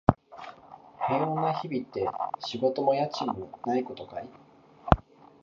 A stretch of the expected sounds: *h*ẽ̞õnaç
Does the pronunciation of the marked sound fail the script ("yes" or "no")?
no